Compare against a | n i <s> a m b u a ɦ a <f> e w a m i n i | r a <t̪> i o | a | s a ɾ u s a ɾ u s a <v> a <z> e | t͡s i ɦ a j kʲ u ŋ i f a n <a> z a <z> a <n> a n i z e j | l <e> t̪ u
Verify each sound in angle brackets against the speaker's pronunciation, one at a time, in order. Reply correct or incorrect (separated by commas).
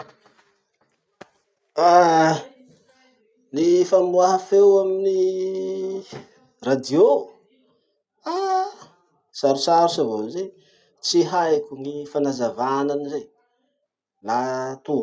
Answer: incorrect, correct, incorrect, correct, correct, correct, incorrect, correct, incorrect